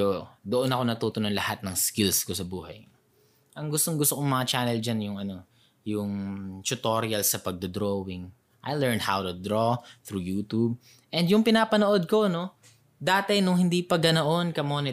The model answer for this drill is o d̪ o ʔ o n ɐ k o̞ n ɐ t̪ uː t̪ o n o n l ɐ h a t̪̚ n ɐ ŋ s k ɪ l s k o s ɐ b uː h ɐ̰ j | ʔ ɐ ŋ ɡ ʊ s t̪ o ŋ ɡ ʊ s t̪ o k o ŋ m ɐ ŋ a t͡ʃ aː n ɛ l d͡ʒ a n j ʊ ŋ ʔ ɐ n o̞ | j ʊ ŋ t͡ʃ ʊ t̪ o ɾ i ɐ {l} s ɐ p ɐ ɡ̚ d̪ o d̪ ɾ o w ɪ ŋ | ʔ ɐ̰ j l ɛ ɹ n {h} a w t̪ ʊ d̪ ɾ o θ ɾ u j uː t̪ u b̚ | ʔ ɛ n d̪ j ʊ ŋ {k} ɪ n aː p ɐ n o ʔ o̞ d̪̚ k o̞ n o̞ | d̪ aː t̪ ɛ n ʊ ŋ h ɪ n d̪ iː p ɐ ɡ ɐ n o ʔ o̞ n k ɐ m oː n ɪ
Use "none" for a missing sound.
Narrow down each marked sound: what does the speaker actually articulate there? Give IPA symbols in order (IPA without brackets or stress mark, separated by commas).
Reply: l, h, p